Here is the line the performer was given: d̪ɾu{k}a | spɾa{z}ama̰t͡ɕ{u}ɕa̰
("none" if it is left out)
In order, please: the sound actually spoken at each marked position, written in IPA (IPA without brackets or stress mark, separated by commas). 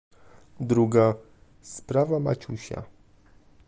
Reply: ɡ, v, u